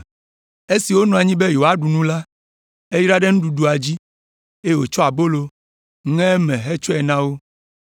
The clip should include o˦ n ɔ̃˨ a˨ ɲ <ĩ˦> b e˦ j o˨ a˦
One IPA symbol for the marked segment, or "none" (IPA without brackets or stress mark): ĩ˦